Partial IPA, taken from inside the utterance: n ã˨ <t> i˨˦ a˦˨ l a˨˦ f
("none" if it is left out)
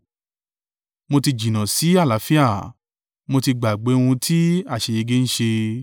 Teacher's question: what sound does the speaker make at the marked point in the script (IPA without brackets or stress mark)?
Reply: s